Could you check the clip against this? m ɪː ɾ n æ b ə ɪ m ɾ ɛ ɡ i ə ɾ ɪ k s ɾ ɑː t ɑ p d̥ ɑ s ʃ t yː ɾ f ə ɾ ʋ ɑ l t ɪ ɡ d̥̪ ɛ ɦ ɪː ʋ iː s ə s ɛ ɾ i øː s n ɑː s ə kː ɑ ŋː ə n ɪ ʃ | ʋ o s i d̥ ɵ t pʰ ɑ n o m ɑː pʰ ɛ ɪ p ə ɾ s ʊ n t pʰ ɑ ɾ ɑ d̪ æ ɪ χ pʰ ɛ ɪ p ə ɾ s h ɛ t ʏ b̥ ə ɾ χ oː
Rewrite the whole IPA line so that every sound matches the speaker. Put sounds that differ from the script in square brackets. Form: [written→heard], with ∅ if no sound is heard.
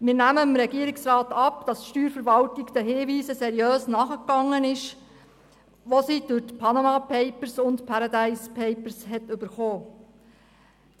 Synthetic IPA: m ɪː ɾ n æ [b→m] ə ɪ m ɾ ɛ ɡ i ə ɾ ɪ k s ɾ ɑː t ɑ p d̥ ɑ s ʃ t yː ɾ f ə ɾ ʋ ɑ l t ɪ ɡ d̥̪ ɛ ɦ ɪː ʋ iː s ə s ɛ ɾ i øː s n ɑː [s→χ] ə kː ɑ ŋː ə n ɪ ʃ | ʋ o s i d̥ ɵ t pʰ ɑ n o m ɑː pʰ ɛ ɪ p ə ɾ s ʊ n t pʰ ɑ ɾ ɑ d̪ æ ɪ [χ→s] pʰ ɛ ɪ p ə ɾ s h ɛ t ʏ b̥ ə ɾ χ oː